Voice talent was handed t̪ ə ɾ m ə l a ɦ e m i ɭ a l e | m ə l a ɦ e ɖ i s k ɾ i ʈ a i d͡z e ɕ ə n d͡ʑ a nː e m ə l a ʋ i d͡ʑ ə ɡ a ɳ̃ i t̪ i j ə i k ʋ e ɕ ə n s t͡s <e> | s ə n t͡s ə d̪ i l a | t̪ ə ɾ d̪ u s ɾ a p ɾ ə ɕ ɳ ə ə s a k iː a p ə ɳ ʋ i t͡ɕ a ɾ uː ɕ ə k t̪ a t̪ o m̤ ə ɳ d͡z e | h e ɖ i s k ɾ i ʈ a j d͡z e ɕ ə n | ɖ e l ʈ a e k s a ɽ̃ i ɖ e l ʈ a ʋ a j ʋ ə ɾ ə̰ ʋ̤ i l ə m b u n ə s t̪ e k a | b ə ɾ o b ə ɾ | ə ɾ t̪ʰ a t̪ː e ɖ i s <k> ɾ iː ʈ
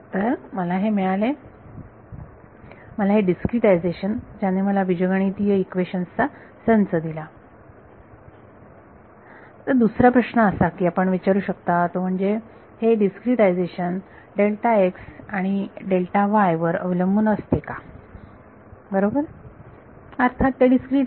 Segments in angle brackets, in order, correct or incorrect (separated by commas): incorrect, correct